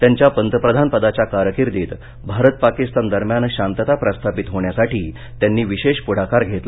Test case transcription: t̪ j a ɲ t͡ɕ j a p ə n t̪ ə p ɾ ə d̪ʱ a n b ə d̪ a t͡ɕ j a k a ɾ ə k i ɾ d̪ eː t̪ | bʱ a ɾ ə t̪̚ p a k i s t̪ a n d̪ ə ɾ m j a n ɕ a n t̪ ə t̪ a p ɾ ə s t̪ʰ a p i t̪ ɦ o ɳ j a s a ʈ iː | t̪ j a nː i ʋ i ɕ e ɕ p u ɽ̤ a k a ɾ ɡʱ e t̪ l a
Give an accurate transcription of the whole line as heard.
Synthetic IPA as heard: t̪ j a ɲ t͡ɕ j a p ə n t̪ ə p ɾ ə d̪ʱ a n p ə d̪ a t͡ɕ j a k a ɾ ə k i ɾ d̪ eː t̪ | bʱ a ɾ ə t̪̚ p a k i s t̪ a n d̪ ə ɾ m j a n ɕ a n t̪ ə t̪ a p ɾ ə s t̪ʰ a p i t̪ ɦ o ɳ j a s a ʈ iː | t̪ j a nː iː ʋ i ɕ e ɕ p u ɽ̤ a k a ɾ ɡʱ e t̪ l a